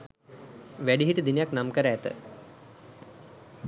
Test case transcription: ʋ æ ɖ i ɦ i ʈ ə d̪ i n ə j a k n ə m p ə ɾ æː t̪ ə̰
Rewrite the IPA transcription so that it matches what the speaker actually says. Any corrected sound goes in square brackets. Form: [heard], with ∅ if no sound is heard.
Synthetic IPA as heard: ʋ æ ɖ i ɦ i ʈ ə d̪ i n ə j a k n [a] m [k] ə ɾ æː t̪ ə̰